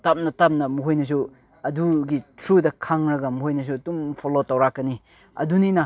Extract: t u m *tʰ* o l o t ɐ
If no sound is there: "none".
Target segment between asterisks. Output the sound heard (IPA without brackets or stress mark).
pʰ